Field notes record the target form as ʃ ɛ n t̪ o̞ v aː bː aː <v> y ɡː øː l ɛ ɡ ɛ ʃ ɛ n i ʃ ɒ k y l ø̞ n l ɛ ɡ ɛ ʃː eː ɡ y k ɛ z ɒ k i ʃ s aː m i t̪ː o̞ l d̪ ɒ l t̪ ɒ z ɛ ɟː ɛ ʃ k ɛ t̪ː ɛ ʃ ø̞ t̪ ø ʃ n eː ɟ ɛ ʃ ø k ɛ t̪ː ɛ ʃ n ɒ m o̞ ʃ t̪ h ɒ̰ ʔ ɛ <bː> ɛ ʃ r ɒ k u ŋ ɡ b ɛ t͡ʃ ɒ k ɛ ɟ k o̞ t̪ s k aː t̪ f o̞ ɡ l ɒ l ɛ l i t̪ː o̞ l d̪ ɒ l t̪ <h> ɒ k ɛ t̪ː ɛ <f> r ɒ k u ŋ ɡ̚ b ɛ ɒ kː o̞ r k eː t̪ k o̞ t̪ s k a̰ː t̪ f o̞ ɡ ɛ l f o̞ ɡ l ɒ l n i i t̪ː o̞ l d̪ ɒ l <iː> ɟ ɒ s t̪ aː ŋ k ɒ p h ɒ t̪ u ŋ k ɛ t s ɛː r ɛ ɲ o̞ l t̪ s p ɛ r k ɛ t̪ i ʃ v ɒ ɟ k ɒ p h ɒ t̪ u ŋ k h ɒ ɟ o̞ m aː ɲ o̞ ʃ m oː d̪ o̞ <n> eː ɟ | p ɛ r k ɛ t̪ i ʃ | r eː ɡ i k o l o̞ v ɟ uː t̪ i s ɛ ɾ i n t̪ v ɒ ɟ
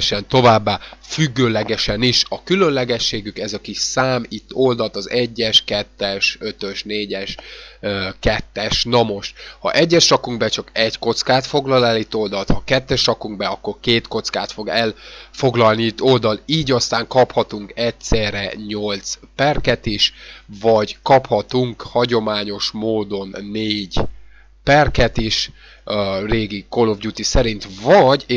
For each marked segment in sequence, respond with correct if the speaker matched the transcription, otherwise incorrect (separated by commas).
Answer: incorrect, incorrect, correct, incorrect, correct, incorrect